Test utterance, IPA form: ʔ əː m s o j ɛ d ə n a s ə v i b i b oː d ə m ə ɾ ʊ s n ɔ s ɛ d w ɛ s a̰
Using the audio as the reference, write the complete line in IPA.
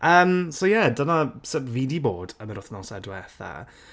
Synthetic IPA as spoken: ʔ əː m s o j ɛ d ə n a s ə v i d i b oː d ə m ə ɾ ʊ θ n ɔ s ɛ d w ɛ θ a̰

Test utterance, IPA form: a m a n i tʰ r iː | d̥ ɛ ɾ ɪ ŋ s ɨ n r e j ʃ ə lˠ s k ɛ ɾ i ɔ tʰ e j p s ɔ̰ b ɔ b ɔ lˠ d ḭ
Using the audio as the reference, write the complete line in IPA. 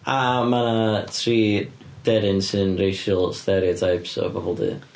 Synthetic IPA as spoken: a m a n a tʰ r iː | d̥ ɛ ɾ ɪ n s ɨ n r e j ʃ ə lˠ s t ɛ ɾ i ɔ tʰ a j p s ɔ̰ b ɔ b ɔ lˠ d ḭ

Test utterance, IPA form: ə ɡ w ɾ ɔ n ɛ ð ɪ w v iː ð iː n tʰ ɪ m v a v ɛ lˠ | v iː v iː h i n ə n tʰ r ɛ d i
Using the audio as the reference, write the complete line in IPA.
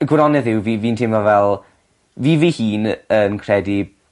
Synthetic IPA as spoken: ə ɡ w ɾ ɔ n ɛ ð ɪ w v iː v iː n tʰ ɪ m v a v ɛ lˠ | v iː v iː h iː n ə n kʰ r ɛ d i

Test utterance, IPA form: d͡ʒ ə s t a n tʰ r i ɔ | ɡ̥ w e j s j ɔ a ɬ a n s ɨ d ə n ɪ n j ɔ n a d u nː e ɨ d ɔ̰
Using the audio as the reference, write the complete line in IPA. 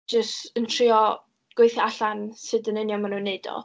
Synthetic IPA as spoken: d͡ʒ ə s t ə n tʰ r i ɔ | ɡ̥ w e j θ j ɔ a ɬ a n s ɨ d ə n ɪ n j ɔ m a n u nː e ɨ d ɔ̰

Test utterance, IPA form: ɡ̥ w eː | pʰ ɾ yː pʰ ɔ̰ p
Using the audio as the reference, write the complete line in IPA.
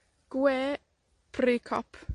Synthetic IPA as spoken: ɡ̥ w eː | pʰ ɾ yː kʰ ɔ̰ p

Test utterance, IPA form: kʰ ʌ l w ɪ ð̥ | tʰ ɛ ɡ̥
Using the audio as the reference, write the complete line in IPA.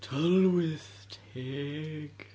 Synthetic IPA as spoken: tʰ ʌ l w ɪ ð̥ | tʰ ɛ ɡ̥

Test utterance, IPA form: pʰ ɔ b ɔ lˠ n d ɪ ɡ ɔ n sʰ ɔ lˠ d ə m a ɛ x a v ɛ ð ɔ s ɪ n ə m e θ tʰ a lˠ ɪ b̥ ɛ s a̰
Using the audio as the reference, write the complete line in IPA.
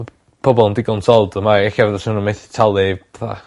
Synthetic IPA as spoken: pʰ ɔ b ɔ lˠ n d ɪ ɡ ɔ n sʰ ɔ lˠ d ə m a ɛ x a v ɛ ð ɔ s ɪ n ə m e θ tʰ a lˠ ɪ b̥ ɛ θ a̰

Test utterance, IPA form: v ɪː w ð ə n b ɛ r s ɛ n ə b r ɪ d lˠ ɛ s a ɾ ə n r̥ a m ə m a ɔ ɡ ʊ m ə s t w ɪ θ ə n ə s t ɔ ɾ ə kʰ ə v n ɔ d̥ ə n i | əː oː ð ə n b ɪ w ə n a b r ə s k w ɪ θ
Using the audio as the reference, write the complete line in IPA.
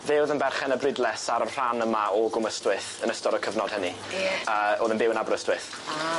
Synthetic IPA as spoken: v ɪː w ð ə n b ɛ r χ ɛ n ə b r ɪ d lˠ ɛ s a ɾ ə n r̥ a n ə m a ɔ ɡ ʊ m ə s t w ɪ θ ə n ə s t ɔ ɾ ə kʰ ə v n ɔ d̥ ə n i | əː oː ð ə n b ɪ w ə n a b r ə s t w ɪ θ

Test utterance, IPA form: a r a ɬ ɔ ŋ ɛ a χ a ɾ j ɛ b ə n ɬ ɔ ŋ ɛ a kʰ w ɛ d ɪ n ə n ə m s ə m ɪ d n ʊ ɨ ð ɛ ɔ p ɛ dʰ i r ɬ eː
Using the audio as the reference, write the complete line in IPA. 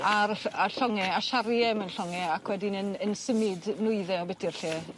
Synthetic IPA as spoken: a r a ɬ ɔ ŋ ɛ a ʃ a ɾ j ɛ m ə n ɬ ɔ ŋ ɛ a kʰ w ɛ d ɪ n ə n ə n s ə m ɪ d n ʊ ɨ ð ɛ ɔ b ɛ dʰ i r ɬ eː

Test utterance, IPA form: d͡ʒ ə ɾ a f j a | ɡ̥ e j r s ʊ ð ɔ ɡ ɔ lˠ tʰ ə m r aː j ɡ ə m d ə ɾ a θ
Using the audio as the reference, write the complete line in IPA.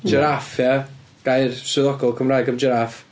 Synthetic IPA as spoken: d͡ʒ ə ɾ a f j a | ɡ̥ a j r s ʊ ð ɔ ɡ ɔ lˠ kʰ ə m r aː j ɡ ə m d͡ʒ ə ɾ a f

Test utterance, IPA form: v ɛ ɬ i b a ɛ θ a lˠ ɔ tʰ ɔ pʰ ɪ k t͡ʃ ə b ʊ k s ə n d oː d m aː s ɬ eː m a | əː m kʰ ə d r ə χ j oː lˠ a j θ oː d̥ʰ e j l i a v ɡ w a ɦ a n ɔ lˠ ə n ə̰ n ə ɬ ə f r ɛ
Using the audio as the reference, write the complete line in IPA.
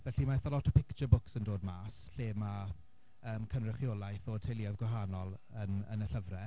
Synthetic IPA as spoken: v ɛ ɬ i m a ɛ θ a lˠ ɔ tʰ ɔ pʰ ɪ k t͡ʃ ə b ʊ k s ə n d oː d m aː s ɬ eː m a | əː m kʰ ə n r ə χ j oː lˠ a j θ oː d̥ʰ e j l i a v ɡ w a ɦ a n ɔ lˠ ə n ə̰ n ə ɬ ə v r ɛ

